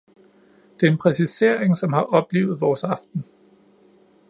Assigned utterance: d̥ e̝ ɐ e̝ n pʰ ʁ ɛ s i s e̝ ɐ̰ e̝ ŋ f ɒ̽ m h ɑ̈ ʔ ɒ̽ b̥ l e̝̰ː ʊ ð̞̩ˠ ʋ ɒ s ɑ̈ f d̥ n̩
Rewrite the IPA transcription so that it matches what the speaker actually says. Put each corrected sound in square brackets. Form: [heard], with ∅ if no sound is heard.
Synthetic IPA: d̥ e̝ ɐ e̝ n pʰ ʁ ɛ s i s e̝ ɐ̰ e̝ ŋ [s] ɒ̽ m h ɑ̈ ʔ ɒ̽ b̥ l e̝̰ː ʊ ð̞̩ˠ ʋ [ɒː] s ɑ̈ f d̥ n̩